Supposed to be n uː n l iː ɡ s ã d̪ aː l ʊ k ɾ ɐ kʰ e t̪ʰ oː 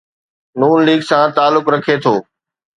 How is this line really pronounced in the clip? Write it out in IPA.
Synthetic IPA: n uː n l iː ɡ s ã t̪ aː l ʊ k ɾ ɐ kʰ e t̪ʰ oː